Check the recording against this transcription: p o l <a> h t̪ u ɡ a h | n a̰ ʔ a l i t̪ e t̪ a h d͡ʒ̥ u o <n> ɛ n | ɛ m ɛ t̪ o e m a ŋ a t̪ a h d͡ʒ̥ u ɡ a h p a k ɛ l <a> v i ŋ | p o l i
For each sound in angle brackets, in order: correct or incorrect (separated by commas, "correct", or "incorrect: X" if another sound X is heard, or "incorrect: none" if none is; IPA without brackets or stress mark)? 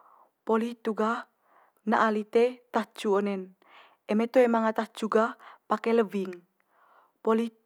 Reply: incorrect: i, correct, incorrect: ə